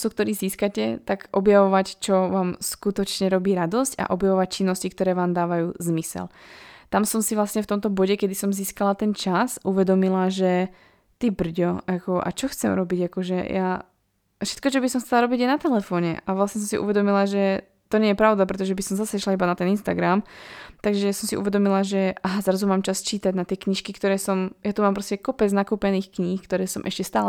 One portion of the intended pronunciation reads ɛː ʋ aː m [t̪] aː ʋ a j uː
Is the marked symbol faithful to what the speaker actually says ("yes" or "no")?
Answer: no